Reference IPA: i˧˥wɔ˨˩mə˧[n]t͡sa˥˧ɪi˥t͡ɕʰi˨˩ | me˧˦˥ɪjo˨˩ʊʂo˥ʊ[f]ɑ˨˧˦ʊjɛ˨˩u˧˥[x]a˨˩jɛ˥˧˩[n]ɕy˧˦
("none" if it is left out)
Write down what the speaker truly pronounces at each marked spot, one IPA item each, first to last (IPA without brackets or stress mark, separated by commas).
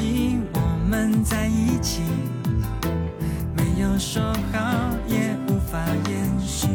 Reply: n, x, f, n